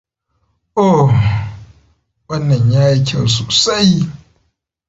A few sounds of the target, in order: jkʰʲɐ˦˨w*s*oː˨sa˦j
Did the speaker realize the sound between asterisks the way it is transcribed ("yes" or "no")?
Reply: yes